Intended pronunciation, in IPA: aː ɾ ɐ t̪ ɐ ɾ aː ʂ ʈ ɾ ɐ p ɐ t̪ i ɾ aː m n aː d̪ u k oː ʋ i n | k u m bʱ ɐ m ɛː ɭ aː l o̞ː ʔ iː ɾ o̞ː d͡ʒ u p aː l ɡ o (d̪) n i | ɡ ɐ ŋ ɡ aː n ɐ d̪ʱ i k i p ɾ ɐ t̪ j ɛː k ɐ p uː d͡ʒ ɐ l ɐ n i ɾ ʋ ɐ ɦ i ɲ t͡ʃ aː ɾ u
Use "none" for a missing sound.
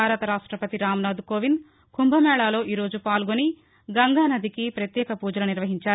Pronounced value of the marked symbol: none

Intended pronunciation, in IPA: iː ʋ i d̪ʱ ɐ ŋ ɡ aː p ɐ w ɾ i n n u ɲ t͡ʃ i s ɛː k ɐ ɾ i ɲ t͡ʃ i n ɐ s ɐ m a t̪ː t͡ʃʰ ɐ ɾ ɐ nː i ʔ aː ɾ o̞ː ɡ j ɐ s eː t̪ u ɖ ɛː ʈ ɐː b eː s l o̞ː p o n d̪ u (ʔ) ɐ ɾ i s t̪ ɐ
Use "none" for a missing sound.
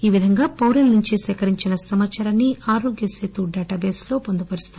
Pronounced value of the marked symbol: p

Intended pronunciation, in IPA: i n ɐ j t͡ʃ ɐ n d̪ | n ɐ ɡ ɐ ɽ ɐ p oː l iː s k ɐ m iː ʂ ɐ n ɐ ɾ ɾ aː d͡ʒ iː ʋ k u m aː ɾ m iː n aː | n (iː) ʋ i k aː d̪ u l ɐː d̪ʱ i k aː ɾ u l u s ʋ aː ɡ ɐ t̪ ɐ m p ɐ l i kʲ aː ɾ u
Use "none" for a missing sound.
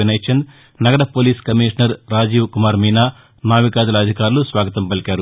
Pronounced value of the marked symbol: aː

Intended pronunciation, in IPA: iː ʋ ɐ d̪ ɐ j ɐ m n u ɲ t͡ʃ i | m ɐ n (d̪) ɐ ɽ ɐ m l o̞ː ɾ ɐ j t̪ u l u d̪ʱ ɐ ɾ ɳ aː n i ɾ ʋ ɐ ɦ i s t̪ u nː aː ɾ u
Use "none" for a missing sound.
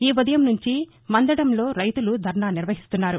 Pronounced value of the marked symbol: d̪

